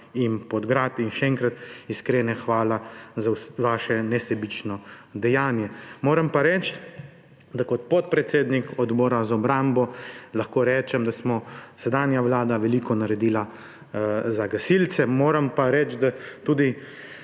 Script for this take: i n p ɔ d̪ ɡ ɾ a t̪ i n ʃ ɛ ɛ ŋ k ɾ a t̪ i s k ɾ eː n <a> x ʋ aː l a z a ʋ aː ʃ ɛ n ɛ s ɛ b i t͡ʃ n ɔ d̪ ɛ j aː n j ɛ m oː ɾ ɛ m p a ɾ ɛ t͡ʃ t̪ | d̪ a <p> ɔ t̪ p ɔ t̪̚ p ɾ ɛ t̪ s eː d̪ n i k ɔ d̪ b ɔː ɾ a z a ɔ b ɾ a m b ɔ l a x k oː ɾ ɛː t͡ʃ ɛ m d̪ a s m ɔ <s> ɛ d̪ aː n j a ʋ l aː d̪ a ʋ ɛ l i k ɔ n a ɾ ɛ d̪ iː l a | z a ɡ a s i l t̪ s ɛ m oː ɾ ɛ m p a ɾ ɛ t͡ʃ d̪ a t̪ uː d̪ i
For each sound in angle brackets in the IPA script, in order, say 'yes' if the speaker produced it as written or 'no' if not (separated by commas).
no, no, yes